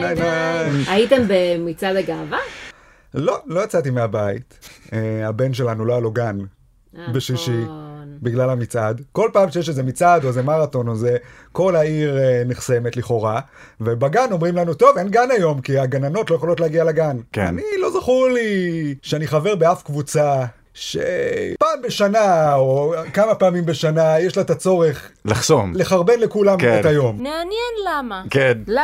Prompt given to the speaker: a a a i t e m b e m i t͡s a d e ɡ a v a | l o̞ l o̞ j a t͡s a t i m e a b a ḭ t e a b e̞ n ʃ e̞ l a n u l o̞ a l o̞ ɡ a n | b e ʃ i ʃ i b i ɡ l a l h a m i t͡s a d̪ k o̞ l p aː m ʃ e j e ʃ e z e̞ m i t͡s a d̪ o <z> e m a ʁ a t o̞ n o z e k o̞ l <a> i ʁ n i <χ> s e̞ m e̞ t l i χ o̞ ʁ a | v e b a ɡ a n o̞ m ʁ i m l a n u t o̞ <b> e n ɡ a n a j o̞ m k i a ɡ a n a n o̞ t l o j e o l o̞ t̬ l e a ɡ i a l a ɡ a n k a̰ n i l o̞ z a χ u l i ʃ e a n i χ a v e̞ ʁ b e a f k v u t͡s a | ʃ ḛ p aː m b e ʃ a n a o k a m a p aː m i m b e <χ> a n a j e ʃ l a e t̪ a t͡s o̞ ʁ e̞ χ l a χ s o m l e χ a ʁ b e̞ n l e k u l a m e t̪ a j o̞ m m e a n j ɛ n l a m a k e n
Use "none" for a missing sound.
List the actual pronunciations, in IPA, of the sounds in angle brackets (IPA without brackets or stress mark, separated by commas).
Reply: z, a, χ, v, ʃ